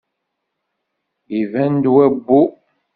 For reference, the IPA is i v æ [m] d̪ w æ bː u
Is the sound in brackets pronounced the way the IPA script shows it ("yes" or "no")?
no